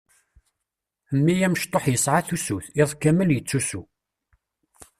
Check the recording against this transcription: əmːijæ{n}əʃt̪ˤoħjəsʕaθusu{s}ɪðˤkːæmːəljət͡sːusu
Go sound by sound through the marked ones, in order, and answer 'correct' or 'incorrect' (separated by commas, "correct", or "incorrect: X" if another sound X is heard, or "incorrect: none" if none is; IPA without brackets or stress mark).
incorrect: m, incorrect: θ